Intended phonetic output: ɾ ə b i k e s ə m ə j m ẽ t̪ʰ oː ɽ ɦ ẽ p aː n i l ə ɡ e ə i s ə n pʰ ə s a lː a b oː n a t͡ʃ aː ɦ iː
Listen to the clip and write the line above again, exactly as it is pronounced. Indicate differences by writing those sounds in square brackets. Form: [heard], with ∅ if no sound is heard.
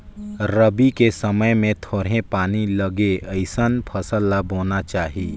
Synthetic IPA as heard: ɾ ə b i k e s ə m ə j m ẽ t̪ʰ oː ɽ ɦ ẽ p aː n i l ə ɡ e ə [ɪ] s ə n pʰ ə s [ə] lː a b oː n a t͡ʃ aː ɦ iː